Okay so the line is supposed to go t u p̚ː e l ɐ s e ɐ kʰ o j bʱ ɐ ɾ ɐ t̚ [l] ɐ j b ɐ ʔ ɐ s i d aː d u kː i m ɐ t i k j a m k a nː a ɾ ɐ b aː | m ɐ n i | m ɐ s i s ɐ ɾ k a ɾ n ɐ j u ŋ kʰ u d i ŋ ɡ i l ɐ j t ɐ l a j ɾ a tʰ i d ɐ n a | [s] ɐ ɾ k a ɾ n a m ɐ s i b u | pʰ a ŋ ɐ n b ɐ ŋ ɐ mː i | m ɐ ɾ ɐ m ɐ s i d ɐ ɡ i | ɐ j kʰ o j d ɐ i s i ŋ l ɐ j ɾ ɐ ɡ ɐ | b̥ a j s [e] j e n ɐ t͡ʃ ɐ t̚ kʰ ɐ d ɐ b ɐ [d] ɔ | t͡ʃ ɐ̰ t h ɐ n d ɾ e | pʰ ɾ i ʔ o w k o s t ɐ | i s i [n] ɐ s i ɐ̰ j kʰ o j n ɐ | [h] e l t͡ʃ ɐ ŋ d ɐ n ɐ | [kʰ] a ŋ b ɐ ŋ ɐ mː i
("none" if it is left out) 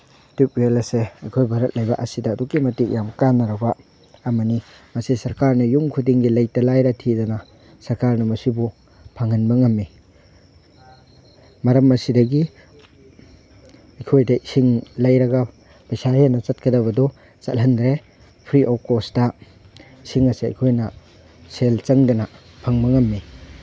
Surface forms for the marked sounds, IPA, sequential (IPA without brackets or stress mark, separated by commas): l, s, a, d, ŋ, s, pʰ